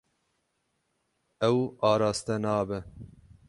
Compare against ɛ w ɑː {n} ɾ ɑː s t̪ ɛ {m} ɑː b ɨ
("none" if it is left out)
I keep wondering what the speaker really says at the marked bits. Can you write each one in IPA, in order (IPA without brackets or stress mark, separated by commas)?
none, n